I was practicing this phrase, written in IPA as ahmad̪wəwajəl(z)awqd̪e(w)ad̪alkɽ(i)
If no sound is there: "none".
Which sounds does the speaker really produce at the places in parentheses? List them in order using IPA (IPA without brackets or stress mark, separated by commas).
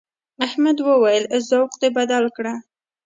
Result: z, b, a